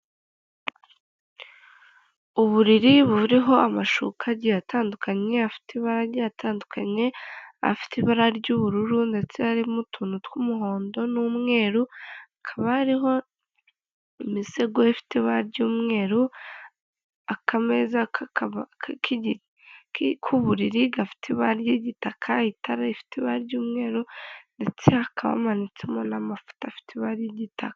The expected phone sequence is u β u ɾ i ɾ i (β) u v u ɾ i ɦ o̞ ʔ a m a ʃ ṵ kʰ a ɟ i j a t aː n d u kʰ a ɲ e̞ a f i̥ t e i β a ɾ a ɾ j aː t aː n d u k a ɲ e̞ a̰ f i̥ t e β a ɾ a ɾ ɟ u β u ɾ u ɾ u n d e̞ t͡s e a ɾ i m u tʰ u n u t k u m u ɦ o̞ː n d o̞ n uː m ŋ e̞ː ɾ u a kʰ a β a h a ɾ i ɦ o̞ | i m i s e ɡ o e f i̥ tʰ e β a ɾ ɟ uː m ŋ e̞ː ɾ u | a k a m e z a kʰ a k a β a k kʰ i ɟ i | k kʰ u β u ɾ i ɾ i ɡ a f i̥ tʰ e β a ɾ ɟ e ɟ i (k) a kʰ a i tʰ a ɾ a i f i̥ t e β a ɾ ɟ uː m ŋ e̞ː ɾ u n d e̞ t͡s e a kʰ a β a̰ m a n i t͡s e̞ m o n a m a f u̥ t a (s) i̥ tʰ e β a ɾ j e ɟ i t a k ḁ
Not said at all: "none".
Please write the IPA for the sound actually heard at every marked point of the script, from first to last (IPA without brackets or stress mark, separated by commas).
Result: β, t, f